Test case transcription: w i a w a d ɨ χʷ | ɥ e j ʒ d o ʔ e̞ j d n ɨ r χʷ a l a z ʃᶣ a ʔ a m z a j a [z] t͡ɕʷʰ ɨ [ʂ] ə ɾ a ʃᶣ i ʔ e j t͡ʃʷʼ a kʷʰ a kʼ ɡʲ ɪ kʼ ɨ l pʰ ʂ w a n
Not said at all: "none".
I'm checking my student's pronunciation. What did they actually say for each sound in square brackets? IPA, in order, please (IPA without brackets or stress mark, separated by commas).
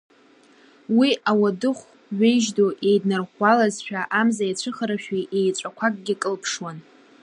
none, χ